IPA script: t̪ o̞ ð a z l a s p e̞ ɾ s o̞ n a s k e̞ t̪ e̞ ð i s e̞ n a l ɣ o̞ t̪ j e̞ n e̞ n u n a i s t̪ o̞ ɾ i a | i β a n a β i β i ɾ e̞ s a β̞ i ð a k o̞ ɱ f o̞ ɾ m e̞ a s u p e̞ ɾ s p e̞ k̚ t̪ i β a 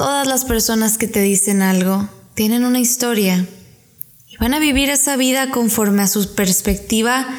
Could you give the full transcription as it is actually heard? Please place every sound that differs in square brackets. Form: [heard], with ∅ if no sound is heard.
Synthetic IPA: t̪ o̞ ð a z l a s p e̞ ɾ s o̞ n a s k e̞ t̪ e̞ ð i s e̞ n a l ɣ o̞ t̪ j e̞ n e̞ n u n a i s t̪ o̞ ɾ [j] a | i β a n a β i β i ɾ e̞ s a β̞ i ð a k o̞ ɱ f o̞ ɾ m e̞ a s u p e̞ ɾ s p e̞ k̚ t̪ i β a